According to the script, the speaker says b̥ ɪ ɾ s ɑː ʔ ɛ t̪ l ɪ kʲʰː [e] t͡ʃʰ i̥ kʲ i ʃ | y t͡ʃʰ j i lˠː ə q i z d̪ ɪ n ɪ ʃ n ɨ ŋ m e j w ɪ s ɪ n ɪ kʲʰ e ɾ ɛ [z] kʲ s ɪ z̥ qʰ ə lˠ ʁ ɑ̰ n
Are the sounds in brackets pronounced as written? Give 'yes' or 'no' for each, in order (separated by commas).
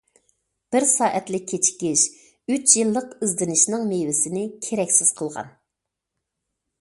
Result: yes, no